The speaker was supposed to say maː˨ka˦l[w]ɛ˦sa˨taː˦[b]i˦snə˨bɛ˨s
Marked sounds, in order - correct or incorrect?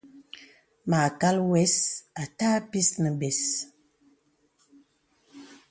correct, incorrect: p

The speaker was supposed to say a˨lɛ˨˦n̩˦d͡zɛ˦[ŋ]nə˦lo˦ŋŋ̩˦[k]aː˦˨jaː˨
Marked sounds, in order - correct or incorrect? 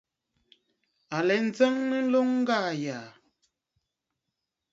correct, incorrect: ɡ

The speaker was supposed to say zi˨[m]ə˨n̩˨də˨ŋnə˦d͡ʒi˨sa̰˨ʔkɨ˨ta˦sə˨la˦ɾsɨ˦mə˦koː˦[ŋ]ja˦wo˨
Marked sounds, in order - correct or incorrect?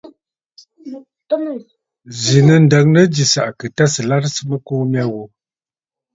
incorrect: n, incorrect: m

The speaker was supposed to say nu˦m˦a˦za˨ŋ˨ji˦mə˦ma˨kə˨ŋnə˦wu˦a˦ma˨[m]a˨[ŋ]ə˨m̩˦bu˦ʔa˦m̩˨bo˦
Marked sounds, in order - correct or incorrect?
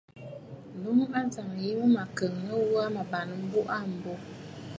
incorrect: b, incorrect: n

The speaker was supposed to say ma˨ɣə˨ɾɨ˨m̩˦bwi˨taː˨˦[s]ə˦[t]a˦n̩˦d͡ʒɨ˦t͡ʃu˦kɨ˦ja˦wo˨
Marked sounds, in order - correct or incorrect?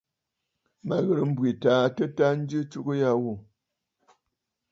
incorrect: t, correct

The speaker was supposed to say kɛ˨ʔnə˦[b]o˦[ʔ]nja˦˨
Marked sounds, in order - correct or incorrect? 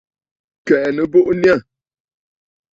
correct, correct

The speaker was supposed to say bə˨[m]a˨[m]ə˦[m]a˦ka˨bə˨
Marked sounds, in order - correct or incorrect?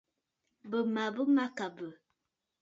correct, incorrect: b, correct

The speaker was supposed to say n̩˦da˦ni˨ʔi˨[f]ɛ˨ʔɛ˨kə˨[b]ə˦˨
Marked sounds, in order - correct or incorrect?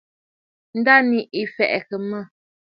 correct, incorrect: m

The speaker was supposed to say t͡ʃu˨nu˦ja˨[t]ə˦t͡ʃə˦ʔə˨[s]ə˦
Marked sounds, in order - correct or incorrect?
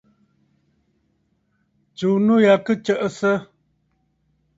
incorrect: k, correct

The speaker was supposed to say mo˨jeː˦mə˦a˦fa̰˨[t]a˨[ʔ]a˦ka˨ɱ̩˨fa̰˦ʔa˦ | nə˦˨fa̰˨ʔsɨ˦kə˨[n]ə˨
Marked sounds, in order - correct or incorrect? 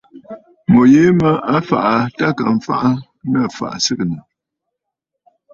incorrect: ʔ, incorrect: t, correct

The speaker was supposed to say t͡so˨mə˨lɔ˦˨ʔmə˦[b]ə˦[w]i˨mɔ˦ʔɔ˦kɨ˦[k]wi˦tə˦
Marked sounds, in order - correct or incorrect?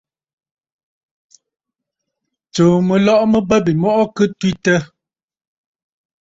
correct, incorrect: b, incorrect: t

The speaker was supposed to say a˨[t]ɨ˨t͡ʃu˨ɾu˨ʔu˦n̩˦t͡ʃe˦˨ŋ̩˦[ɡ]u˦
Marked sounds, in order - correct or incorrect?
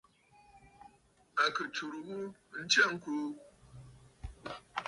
incorrect: k, incorrect: k

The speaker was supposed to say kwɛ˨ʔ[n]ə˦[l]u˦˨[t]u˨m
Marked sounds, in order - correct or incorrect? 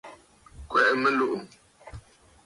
incorrect: m, correct, incorrect: ʔ

